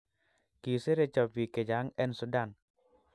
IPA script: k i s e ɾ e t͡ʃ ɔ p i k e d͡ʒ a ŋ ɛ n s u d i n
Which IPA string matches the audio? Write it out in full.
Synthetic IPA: k i s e ɾ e t͡ʃ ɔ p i k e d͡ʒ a ŋ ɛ n s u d a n